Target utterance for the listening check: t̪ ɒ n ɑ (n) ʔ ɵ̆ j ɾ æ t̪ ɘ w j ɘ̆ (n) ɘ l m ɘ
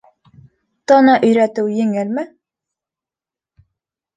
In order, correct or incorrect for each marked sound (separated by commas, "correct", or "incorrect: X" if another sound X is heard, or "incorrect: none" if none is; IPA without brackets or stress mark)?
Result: incorrect: none, incorrect: ŋ